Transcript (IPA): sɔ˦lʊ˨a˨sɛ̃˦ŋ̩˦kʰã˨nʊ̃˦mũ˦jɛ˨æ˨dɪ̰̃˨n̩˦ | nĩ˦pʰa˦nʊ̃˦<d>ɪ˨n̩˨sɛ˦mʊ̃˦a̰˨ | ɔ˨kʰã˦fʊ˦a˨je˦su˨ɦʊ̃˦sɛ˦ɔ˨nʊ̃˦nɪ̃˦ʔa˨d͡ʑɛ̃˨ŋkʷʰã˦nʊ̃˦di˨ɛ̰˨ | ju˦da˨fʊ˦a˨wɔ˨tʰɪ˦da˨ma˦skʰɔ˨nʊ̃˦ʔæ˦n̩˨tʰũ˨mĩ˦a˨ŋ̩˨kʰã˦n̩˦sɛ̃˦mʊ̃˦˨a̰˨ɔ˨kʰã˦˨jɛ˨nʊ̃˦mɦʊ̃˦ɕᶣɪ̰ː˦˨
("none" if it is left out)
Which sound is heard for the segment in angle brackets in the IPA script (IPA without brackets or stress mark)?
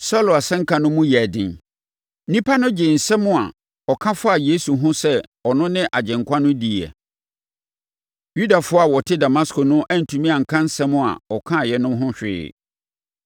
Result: d͡ʑ